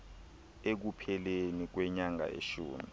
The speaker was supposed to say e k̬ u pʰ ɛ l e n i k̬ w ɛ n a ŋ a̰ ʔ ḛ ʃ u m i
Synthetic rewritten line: e k̬ u pʰ ɛ l e n i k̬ w ɛ ɲ a ŋ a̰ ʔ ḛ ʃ uː m i